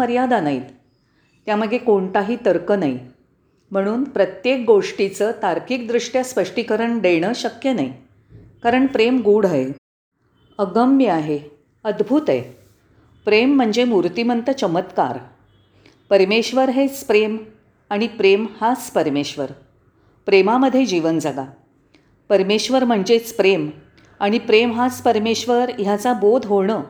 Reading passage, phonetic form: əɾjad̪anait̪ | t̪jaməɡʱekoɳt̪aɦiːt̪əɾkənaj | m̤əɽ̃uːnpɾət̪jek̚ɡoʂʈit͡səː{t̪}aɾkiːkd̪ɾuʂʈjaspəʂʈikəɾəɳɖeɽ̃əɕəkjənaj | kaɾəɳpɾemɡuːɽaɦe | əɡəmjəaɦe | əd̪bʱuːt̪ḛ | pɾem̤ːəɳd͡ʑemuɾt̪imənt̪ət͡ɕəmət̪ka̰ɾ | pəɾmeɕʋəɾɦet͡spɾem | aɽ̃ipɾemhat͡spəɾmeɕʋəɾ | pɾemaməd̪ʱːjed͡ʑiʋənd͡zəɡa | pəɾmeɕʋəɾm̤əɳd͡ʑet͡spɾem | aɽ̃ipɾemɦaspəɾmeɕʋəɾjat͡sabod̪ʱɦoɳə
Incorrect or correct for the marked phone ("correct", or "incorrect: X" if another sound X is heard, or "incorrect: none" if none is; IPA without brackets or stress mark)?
correct